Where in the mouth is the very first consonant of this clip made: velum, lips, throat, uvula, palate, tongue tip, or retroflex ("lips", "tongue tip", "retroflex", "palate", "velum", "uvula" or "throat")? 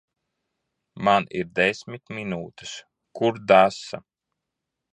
lips